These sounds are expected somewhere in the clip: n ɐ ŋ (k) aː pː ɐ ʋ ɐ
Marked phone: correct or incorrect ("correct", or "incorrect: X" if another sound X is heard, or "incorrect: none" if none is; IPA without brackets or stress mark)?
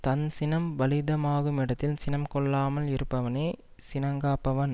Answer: incorrect: ɡ